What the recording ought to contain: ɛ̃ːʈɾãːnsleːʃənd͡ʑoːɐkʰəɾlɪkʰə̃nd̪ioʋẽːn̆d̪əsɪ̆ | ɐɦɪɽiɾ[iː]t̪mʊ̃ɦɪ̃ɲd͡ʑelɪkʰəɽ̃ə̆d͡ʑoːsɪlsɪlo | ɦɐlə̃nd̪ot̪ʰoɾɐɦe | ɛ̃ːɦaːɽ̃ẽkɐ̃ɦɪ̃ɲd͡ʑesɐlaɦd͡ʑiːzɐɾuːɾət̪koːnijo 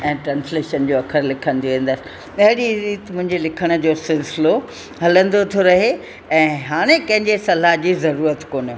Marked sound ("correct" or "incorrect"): correct